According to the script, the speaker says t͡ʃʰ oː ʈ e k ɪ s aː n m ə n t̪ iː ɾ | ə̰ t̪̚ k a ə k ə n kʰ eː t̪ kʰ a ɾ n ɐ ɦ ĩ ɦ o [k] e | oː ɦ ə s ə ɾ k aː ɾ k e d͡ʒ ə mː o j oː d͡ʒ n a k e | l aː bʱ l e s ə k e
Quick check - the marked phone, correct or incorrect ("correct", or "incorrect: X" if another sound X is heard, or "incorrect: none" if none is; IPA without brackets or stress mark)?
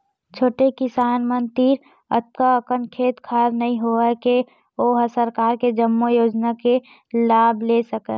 correct